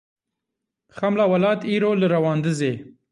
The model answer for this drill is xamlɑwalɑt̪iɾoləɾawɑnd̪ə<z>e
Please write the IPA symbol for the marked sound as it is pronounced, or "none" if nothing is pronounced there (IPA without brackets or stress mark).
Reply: z